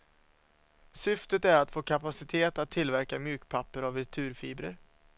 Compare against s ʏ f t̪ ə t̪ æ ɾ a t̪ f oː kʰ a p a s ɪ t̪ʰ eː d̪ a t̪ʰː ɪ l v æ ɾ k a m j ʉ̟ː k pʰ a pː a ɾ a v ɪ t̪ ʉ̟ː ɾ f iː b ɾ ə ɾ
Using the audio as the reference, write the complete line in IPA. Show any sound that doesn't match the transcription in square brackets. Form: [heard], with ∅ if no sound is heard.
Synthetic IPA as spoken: s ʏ f t̪ ə t̪ æ ɾ a t̪ f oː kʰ a p a s ɪ t̪ʰ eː [t̪] a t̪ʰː ɪ l v æ ɾ k a m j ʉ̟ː k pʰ a pː [ə] ɾ a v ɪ [t̪ʰ] ʉ̟ː ɾ f iː b ɾ ə ɾ